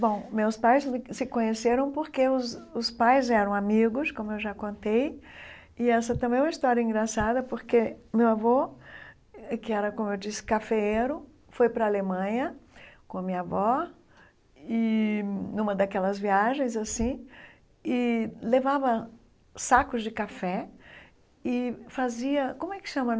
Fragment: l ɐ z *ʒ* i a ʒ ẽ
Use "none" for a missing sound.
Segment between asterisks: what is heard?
v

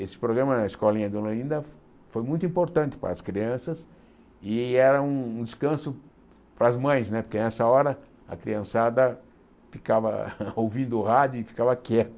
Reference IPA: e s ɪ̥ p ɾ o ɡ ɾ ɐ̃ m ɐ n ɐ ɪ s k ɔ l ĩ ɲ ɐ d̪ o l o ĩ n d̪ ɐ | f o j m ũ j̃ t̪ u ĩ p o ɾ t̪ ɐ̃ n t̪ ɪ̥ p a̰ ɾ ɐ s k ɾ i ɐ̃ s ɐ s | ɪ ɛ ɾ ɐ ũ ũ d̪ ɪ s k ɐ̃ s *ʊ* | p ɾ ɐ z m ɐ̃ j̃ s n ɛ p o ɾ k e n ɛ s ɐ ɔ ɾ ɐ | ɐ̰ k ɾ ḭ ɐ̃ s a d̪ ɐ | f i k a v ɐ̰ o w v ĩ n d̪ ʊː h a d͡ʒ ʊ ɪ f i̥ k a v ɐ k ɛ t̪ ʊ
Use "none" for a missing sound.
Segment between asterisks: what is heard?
ʊ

